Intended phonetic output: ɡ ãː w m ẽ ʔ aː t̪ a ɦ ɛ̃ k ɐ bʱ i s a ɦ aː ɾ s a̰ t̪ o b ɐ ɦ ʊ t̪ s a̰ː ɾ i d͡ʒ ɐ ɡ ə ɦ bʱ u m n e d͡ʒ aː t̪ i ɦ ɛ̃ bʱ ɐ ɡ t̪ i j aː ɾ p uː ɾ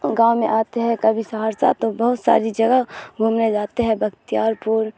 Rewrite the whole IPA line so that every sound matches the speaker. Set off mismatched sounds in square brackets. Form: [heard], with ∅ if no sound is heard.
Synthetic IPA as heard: ɡ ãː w m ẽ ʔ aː t̪ [e] ɦ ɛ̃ k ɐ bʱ i s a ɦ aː ɾ s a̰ t̪ o b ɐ ɦ ʊ t̪ s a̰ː ɾ i d͡ʒ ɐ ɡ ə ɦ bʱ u m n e d͡ʒ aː t̪ [e] ɦ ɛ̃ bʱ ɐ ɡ t̪ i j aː ɾ p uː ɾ